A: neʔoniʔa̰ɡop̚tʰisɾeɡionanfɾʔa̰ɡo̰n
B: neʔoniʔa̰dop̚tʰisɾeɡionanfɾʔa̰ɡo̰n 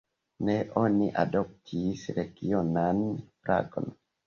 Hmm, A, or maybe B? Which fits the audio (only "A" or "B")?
B